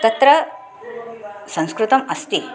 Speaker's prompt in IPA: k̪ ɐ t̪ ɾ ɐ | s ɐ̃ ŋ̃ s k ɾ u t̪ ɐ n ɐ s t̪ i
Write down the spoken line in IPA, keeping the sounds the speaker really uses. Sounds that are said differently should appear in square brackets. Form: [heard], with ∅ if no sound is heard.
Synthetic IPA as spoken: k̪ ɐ t̪ ɾ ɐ | s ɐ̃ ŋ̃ s k ɾ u t̪ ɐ [m] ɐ s t̪ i

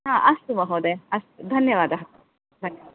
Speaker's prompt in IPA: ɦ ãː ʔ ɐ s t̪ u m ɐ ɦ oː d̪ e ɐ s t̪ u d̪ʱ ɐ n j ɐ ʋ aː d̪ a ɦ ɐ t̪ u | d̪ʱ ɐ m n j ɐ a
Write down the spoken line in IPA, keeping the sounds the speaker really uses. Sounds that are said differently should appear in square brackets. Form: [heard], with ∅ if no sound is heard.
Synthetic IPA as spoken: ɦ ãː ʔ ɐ s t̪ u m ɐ ɦ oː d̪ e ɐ s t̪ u d̪ʱ ɐ n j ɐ ʋ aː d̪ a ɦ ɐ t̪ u | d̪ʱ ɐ [∅] n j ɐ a

